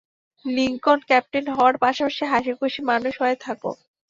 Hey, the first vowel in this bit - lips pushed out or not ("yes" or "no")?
no